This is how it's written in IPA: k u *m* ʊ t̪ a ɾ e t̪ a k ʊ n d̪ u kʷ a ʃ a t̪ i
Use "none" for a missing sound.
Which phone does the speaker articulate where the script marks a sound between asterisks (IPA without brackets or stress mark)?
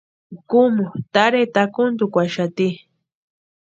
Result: m